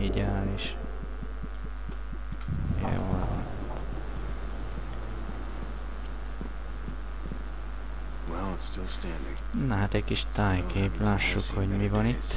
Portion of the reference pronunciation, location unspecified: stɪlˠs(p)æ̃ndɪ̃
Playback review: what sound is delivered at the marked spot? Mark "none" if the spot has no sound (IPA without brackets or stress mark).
t